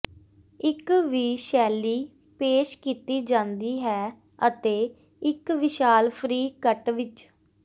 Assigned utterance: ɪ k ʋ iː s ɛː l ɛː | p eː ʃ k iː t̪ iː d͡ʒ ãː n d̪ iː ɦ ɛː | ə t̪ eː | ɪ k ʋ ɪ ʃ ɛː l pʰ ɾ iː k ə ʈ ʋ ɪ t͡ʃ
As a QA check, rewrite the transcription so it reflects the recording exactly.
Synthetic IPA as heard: ɪ k ʋ iː ʃ ɛː l iː | p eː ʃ k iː t̪ iː d͡ʒ ãː n d̪ iː ɦ ɛː | ə t̪ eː | ɪ k ʋ ɪ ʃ aː l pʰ ɾ iː k ə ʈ ʋ ɪ t͡ʃ